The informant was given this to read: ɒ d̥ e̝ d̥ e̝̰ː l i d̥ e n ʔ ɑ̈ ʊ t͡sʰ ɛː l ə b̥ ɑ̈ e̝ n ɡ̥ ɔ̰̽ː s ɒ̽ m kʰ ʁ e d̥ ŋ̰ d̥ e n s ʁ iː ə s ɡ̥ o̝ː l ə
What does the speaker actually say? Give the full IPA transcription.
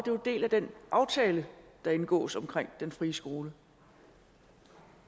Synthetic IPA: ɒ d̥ e̝ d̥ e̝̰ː l æ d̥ e n ʔ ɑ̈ ʊ t͡sʰ ɛː l ə d̥ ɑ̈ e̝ n ɡ̥ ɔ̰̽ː s ɒ̽ m kʰ ʁ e ŋ̰ d̥ e n f ʁ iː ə s ɡ̥ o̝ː l ə

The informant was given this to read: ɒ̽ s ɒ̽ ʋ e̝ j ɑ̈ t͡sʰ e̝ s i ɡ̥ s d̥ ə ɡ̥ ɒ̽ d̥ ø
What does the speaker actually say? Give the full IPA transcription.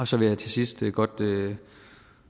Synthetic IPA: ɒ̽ s ɒ̽ ʋ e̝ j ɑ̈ t͡sʰ e̝ s i s d̥ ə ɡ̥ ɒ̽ d̥ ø

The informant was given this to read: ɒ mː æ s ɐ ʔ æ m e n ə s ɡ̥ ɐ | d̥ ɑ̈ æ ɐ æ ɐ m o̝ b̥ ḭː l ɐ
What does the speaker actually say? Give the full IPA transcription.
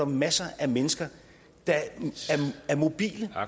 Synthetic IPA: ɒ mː æ s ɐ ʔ æ m e n ə s ɡ̥ ɐ | d̥ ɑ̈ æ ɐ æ ɐ m o̝ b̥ ḭː l ə

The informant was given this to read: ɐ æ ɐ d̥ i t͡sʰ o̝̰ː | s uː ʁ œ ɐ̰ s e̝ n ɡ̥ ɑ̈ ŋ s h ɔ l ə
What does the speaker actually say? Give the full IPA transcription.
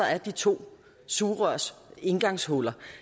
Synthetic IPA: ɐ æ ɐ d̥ i t͡sʰ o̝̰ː | s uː ʁ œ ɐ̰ s e̝ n ɡ̥ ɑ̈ ŋ s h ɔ l ɐ

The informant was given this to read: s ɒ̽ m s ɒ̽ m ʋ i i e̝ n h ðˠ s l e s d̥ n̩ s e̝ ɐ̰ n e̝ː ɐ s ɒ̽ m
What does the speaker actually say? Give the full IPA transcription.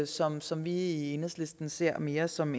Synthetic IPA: s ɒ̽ m s ɒ̽ m ʋ i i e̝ n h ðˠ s l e s d̥ n̩ s e̝ ɐ̰ m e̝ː ɐ s ɒ̽ m

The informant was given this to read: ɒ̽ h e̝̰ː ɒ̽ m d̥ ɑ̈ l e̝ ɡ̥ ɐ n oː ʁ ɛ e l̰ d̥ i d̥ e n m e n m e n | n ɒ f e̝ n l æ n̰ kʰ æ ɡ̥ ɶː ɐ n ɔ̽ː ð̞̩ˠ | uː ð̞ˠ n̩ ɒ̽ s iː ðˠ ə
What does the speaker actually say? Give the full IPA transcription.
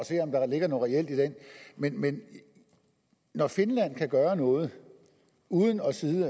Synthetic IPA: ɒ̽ s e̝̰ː ɒ̽ m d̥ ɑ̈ l e̝ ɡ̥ ɐ n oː ʁ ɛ e l̰ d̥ i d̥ e n m e n m e n | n ɒ f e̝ n l æ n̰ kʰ æ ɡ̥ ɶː ɐ n ɔ̽ː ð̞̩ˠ | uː ð̞ˠ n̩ ɒ̽ s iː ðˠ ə

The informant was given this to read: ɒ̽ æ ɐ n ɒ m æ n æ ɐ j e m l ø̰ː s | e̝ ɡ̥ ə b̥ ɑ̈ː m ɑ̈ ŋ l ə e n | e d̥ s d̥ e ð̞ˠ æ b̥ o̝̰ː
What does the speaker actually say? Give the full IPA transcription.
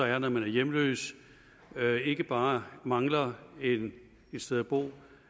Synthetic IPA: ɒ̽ æ ɐ n ɒ m æ n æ ɐ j e m l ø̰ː s | e̝ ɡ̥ ə b̥ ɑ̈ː m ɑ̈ ŋ l ɐ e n | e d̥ s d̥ e ð̞ˠ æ b̥ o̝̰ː

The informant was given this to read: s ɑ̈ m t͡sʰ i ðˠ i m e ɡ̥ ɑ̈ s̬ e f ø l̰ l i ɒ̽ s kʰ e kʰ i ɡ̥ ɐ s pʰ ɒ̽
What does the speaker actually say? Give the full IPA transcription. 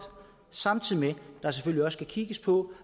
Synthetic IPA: s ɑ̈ m t͡sʰ i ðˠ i m e d̥ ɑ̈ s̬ e f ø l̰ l i ɒ̽ s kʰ æ kʰ i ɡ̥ ə s pʰ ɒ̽

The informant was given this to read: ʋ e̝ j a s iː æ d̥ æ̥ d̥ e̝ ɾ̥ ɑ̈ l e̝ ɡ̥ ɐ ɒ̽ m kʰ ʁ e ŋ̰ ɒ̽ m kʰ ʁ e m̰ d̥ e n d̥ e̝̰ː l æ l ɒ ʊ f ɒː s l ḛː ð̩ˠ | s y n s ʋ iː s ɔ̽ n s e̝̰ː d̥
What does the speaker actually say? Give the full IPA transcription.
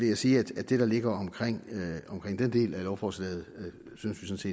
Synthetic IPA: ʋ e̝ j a s iː æ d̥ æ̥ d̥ e̝ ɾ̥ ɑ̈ l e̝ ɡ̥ ɐ ɒ̽ m kʰ ʁ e ŋ̰ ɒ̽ m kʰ ʁ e ŋ̰ d̥ e n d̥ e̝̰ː l æ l ɒ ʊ f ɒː s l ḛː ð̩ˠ | s y n s ʋ i s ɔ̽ n s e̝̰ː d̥

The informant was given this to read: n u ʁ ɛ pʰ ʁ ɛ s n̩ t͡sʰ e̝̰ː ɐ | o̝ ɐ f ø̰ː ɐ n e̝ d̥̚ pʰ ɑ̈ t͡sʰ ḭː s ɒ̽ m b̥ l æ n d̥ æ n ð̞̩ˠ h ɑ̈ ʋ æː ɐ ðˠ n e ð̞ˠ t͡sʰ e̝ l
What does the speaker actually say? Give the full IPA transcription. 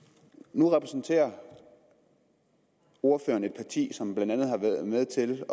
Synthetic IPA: n u ʁ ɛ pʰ ʁ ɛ s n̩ t͡sʰ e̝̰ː ɐ | o̝ ɐ f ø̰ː ɐ n e̝ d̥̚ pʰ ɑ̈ t͡sʰ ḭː s ɒ̽ m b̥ l æ n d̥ æ n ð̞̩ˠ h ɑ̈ ʋ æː ɐ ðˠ m e ð̞ˠ t͡sʰ e̝ l

